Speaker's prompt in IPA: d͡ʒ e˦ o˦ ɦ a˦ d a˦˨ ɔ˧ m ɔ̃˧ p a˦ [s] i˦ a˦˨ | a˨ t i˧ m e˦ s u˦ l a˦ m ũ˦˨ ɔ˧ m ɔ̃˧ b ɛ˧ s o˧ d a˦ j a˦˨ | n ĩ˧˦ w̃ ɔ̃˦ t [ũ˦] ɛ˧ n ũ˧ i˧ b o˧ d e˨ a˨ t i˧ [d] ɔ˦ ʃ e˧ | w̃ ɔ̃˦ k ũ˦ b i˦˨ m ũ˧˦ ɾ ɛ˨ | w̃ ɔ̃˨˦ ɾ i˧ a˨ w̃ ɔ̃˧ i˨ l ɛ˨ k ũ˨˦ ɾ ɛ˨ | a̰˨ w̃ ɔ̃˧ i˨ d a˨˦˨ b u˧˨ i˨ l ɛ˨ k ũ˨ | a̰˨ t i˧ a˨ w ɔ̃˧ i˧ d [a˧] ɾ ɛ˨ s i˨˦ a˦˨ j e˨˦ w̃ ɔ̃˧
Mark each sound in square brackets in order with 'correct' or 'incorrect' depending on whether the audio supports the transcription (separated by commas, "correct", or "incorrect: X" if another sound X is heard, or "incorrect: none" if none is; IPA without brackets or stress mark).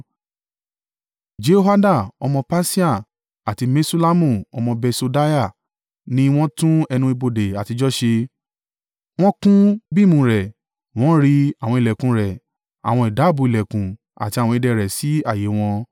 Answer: correct, correct, incorrect: d͡ʒ, incorrect: ɛ˧